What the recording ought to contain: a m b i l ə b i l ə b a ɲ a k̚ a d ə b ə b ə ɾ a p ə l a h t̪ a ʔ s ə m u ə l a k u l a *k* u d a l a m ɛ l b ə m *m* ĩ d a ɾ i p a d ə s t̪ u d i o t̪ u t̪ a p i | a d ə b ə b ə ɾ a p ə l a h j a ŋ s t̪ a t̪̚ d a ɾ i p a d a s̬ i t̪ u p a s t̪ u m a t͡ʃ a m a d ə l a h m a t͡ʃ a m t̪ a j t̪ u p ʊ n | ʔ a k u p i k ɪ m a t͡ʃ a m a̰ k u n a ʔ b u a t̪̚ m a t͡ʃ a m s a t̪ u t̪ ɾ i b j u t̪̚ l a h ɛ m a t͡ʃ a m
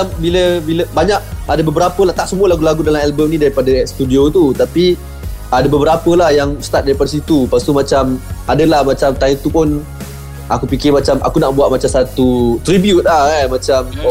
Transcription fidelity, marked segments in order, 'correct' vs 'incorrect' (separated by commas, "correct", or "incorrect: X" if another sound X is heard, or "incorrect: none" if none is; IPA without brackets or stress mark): incorrect: ɡ, incorrect: n